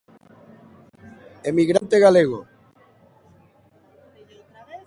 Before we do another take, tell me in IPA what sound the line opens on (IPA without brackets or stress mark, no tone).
e